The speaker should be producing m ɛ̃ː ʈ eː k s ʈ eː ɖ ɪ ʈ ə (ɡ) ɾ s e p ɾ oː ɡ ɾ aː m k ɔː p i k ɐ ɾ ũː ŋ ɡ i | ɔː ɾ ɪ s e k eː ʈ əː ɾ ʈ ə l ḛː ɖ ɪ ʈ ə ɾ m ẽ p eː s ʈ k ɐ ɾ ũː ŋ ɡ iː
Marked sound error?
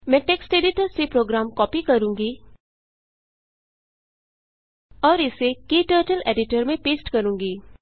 yes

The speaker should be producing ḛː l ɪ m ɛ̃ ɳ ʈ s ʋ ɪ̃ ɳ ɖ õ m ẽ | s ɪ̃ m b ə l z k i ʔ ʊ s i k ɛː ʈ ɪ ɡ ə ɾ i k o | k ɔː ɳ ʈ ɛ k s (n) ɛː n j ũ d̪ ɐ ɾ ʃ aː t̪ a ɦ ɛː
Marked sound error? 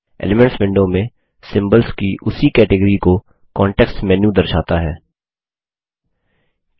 yes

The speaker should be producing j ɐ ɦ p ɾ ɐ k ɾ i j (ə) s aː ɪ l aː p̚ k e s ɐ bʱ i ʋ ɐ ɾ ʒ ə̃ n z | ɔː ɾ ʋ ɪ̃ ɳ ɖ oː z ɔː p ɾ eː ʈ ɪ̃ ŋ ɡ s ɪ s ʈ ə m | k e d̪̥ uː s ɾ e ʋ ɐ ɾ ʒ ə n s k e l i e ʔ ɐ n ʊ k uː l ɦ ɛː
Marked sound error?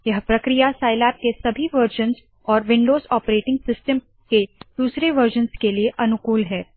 yes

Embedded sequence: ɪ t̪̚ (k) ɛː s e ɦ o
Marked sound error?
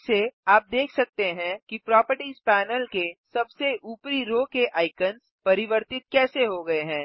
no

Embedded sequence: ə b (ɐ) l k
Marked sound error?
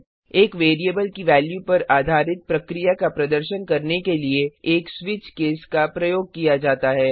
yes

